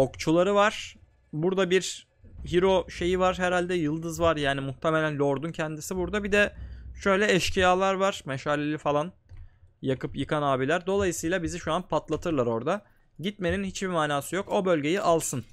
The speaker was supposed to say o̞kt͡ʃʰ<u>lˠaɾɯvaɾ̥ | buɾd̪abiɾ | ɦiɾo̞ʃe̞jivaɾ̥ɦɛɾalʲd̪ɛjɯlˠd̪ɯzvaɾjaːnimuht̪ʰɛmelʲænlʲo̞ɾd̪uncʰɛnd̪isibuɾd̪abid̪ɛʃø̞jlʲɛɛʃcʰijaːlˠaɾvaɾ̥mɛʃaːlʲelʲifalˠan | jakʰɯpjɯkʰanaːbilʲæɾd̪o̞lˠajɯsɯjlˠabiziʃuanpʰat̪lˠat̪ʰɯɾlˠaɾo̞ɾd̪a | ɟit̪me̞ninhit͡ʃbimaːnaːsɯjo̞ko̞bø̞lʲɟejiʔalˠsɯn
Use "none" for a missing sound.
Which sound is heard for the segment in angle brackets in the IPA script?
u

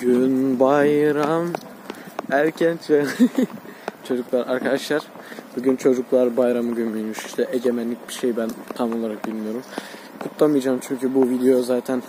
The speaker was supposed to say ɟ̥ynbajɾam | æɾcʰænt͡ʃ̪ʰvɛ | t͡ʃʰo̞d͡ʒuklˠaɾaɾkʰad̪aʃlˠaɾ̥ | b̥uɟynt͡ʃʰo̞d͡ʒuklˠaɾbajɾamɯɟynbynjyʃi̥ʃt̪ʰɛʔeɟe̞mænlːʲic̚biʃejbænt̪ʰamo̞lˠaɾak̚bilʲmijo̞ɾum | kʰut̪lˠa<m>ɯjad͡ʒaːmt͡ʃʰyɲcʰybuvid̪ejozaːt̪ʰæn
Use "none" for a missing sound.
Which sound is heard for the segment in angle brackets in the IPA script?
m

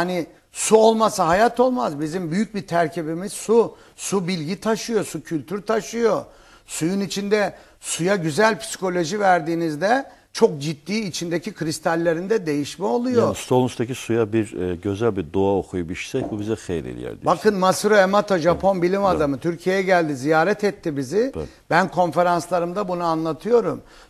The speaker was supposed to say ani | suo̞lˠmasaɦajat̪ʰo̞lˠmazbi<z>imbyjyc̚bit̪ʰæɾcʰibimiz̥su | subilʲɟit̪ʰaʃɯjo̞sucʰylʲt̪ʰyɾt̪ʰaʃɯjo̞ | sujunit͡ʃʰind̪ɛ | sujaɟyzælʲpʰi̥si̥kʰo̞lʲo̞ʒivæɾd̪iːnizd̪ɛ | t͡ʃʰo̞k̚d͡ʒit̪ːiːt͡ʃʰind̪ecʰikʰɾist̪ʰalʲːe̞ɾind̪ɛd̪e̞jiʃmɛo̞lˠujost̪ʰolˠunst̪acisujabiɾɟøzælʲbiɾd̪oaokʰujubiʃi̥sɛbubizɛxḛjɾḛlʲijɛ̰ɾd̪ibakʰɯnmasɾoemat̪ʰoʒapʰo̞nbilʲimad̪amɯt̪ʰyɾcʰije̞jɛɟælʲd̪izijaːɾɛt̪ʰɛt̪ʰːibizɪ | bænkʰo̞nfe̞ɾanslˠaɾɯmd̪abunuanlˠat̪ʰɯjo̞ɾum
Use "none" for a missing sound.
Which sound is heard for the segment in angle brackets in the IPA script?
z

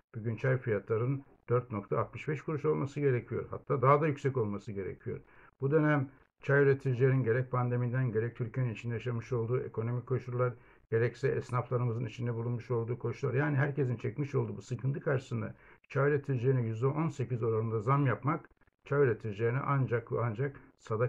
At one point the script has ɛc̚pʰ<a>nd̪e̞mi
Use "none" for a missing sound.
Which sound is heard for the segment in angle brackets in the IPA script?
a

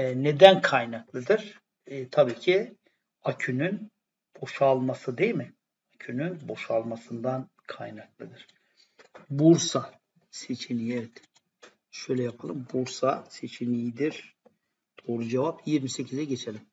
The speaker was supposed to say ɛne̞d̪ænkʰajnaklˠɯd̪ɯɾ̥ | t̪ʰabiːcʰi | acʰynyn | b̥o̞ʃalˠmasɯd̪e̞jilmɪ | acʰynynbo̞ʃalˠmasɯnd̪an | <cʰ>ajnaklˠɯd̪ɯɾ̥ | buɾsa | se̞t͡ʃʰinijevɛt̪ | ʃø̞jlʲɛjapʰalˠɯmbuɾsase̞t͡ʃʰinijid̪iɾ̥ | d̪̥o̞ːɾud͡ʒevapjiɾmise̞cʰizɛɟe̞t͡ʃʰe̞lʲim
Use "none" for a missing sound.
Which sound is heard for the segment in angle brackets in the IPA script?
kʰ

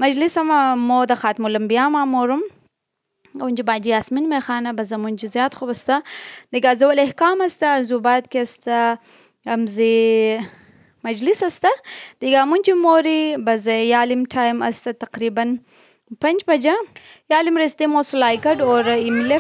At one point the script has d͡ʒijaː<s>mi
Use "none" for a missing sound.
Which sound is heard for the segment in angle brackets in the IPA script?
s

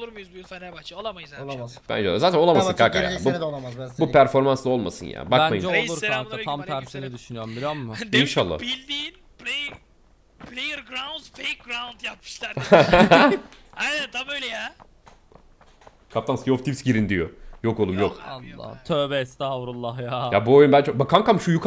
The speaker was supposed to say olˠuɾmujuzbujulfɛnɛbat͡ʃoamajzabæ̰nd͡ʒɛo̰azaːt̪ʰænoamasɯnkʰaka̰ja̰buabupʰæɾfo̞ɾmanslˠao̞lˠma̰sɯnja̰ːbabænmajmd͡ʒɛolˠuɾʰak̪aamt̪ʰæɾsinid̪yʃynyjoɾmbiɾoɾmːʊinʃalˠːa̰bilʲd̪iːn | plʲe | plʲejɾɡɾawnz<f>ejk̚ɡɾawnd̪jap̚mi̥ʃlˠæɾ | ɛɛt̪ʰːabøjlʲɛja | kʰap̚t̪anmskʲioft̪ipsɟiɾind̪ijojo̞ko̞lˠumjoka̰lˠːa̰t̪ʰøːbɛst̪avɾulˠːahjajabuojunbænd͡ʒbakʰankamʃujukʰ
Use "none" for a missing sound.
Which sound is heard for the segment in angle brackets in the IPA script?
f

